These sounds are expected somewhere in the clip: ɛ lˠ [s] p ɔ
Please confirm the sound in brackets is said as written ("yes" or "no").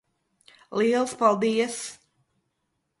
yes